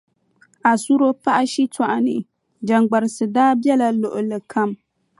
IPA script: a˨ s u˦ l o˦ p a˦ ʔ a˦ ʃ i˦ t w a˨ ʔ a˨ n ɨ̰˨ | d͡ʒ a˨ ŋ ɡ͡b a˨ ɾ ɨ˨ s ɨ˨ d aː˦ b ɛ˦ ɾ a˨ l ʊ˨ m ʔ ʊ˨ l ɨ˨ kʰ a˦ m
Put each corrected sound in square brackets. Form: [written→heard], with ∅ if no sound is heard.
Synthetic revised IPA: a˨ s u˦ [l→ɾ] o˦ p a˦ ʔ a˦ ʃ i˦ t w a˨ ʔ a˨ n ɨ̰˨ | d͡ʒ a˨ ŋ ɡ͡b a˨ ɾ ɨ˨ s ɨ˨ d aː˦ b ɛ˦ [ɾ→l] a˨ l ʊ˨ [m→∅] ʔ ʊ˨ l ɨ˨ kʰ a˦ m